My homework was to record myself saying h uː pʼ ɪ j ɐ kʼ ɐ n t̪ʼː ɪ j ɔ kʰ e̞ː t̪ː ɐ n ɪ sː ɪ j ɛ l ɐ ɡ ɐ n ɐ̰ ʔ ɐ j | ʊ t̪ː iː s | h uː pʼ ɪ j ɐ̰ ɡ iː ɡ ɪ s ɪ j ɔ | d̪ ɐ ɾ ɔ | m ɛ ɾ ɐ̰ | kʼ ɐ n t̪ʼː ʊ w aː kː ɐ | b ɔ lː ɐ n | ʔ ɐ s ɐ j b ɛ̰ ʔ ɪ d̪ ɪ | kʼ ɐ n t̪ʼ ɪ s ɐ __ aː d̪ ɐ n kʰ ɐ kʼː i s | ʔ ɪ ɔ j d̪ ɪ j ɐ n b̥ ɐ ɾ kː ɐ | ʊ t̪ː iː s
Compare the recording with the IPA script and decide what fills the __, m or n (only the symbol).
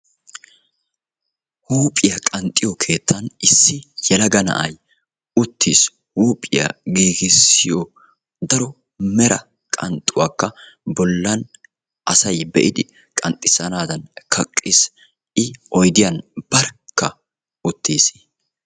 n